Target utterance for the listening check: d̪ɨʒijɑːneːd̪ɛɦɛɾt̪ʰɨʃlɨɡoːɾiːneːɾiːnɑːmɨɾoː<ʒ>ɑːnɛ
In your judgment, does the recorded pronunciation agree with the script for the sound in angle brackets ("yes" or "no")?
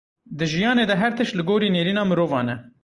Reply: no